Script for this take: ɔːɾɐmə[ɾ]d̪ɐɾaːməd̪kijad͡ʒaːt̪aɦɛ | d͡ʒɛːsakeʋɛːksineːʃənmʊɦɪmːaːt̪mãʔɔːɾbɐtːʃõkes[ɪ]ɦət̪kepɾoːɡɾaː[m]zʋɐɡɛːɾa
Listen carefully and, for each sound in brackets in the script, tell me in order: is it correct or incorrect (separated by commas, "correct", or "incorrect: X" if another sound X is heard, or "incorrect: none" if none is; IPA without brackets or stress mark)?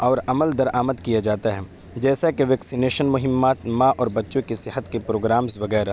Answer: incorrect: l, correct, correct